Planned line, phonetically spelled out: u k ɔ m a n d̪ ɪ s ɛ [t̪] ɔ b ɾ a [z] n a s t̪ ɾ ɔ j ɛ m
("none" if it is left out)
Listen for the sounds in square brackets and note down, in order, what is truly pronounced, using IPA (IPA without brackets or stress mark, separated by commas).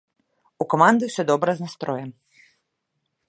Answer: d̪, z